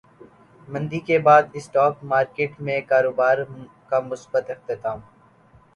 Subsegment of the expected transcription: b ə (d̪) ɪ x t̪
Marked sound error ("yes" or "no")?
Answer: yes